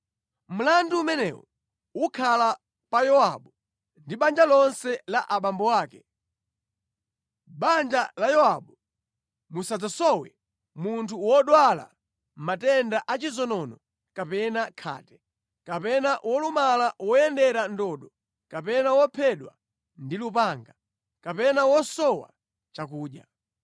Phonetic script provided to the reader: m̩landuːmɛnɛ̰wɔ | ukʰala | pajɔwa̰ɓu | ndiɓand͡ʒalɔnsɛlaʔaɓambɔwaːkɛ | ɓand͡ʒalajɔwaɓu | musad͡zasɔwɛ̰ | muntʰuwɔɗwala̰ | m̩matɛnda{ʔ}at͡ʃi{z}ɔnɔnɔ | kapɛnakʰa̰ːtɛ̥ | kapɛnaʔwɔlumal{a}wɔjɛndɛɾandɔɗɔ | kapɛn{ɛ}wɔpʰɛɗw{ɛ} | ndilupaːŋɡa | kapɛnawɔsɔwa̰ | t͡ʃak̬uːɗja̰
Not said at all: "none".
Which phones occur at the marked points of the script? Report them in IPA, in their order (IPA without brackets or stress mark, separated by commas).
ʔ, z, a, a, a